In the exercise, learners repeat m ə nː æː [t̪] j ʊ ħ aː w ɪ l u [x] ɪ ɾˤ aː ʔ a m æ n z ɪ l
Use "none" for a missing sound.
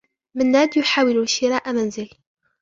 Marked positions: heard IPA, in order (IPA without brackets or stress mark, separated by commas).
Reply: d̪, ʃ